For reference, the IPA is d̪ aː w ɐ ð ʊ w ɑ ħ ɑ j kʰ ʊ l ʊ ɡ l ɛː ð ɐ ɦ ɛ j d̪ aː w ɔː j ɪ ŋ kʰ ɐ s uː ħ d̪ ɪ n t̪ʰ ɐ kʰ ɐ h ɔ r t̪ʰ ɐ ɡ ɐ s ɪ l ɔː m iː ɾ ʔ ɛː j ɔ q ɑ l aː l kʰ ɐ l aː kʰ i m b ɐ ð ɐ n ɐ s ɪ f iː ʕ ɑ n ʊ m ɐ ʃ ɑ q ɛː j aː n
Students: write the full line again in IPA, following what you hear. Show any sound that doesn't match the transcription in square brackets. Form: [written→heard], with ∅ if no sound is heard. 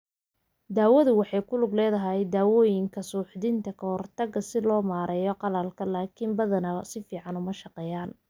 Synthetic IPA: d̪ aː w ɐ ð ʊ w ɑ ħ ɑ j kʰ ʊ l ʊ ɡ l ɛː ð ɐ ɦ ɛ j d̪ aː w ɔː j ɪ ŋ kʰ ɐ s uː ħ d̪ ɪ n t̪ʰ ɐ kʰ ɐ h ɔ r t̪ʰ ɐ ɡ ɐ s ɪ l ɔː m [iː→aː] ɾ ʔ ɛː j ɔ q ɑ l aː l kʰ ɐ l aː kʰ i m b ɐ ð ɐ n ɐ s ɪ f iː ʕ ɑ n ʊ m ɐ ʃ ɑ q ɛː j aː n